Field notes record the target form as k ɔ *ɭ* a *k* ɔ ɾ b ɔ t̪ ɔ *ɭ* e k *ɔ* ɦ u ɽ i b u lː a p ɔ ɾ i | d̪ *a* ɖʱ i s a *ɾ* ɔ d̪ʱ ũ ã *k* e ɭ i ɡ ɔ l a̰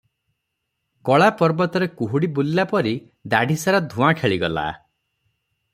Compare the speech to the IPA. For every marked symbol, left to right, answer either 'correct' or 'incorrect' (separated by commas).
correct, incorrect, incorrect, incorrect, correct, correct, incorrect